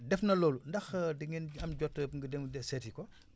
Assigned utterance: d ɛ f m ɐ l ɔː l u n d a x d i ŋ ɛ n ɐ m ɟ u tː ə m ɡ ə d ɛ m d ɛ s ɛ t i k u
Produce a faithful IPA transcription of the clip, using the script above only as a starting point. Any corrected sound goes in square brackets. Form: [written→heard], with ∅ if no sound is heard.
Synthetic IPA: d ɛ f [m→n] ɐ l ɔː l u n d [a→ɐ] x d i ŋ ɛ n ɐ m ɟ [u→ɔ] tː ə [m→ŋ] ɡ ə d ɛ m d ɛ s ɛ t i k [u→ɔ]